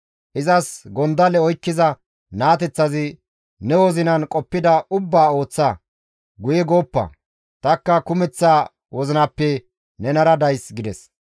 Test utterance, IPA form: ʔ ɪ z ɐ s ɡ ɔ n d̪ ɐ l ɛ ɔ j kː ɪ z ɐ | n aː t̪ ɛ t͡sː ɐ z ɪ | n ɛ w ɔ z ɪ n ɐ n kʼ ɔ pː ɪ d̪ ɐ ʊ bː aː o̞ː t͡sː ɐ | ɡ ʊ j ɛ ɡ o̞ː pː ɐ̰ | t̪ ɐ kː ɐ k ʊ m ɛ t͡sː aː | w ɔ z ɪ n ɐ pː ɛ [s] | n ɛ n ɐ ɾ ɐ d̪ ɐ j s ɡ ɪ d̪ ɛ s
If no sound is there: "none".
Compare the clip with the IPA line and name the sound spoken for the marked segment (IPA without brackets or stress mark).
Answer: none